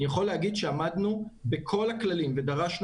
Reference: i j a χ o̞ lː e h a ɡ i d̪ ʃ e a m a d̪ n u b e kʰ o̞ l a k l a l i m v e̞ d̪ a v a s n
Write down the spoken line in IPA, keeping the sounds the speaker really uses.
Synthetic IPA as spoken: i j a χ o̞ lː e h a ɡ i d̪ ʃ e a m a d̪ n u b e kʰ o̞ l a k l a l i m v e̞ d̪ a ʁ a ʃ n